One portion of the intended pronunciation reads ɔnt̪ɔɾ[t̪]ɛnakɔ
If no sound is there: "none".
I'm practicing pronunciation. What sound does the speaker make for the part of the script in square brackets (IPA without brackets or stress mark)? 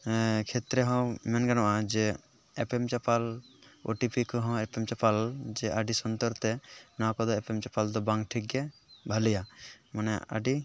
t̪